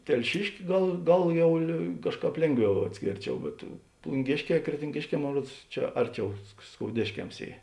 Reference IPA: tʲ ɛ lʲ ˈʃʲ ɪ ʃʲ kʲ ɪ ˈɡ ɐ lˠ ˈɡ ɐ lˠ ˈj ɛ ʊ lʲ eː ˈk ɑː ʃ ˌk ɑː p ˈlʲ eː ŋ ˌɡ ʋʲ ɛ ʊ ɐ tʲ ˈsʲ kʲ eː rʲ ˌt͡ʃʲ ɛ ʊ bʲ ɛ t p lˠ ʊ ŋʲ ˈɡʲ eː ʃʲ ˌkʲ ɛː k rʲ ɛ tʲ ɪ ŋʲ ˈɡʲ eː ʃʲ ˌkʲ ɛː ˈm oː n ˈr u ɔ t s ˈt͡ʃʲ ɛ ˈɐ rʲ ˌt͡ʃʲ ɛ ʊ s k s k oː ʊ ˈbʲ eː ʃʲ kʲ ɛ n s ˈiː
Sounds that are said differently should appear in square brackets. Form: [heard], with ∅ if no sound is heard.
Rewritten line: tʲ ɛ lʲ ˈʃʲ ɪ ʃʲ kʲ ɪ ˈɡ ɐ lˠ ˈɡ ɐ lˠ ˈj ɛ ʊ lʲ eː ˈk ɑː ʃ ˌk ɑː p ˈlʲ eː ŋ ˌɡ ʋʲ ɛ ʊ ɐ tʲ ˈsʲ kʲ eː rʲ ˌt͡ʃʲ ɛ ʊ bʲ ɛ t p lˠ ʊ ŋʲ ˈɡʲ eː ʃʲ ˌkʲ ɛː k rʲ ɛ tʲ ɪ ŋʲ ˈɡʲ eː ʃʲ ˌkʲ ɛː ˈm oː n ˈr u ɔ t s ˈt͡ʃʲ ɛ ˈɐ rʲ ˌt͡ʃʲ ɛ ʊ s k s k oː ʊ [ˈdʲ] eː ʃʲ kʲ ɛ [m] s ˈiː